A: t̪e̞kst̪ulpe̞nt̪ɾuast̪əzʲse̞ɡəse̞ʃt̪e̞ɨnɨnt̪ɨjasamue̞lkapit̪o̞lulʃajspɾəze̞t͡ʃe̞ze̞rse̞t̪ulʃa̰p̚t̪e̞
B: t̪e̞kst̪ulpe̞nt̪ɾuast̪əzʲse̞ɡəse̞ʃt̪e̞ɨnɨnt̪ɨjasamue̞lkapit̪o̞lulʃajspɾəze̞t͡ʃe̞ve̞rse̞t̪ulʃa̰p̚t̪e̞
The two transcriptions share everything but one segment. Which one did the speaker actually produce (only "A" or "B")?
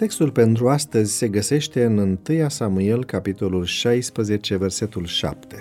B